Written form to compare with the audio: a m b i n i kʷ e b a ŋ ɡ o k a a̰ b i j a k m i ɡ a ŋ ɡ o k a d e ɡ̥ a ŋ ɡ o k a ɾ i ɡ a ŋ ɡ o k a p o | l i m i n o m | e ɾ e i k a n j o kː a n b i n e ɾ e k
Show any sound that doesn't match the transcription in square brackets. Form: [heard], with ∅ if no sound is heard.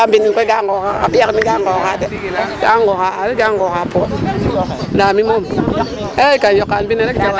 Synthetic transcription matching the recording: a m b i n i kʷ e [ɡ] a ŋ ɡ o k a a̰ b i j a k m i ɡ a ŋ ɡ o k a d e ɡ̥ a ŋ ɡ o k a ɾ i ɡ a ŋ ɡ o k a p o | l [a] m i [m] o m | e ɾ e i k a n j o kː a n b i n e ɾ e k